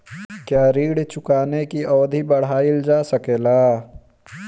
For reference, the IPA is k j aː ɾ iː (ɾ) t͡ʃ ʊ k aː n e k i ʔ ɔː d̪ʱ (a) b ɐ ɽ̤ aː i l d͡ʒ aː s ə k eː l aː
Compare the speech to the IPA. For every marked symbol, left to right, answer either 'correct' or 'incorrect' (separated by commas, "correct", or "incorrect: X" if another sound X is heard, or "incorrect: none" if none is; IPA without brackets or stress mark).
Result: incorrect: ɽ, incorrect: i